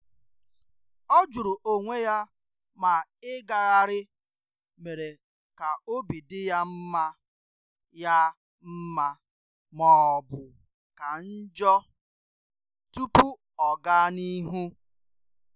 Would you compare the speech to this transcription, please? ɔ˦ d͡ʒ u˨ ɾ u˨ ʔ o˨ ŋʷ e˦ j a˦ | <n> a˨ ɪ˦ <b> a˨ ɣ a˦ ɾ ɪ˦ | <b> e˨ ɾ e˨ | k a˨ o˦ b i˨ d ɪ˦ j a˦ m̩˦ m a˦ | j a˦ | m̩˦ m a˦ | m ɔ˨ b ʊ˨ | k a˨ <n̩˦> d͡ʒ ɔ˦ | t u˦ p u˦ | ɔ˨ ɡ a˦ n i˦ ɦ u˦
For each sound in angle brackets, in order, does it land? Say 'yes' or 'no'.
no, no, no, yes

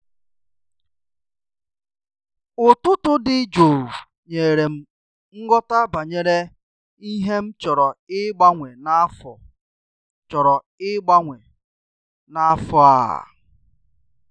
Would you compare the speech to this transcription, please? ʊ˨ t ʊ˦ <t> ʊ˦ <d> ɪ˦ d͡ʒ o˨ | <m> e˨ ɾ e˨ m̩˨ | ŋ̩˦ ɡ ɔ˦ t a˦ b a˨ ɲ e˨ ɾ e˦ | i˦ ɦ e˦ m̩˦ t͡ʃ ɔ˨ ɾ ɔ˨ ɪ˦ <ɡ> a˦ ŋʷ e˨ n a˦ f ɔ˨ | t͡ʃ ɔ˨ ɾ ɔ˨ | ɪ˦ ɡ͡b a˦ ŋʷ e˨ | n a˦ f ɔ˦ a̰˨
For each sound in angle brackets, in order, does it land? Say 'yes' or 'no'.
yes, yes, no, no

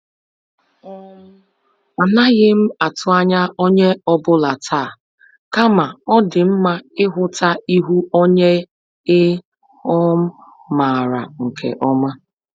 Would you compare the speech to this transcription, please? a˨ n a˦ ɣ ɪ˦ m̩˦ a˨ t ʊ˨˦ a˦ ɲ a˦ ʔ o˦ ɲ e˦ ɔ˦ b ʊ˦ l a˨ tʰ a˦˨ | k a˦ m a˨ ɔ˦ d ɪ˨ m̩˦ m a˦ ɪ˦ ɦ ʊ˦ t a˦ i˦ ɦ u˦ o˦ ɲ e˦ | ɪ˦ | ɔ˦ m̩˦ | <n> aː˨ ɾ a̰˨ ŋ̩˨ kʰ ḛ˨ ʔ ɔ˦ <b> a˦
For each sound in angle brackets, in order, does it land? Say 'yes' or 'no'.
no, no

